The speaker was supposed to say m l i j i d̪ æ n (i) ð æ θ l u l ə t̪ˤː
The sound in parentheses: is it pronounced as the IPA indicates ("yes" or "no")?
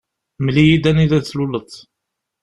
yes